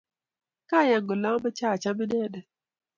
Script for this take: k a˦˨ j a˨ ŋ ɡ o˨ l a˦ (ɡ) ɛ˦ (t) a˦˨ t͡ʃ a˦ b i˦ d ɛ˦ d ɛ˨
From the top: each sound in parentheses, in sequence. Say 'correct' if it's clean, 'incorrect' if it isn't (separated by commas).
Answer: incorrect, incorrect